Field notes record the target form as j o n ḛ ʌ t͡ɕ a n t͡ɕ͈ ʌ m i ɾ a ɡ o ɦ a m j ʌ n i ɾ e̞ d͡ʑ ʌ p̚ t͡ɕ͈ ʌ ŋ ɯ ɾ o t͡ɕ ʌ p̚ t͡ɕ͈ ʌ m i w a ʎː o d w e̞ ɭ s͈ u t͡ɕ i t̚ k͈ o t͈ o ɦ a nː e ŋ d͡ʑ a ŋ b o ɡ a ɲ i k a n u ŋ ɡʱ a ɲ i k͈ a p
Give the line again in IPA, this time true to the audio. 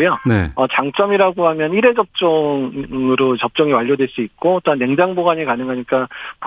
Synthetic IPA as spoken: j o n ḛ ʌ t͡ɕ a ŋ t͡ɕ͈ ʌ m i ɾ a ɡ o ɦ a m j ʌ n i ɾ e̞ d͡ʑ ʌ p̚ t͡ɕ͈ ʌ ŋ ɯ ɾ o t͡ɕ ʌ p̚ t͡ɕ͈ ʌ ŋ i w a ʎː o d w e̞ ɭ s͈ u i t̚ k͈ o t͈ o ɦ a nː e ŋ d͡ʑ a ŋ b o ɡ a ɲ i k a n ɯ ŋ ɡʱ a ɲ i k͈ a p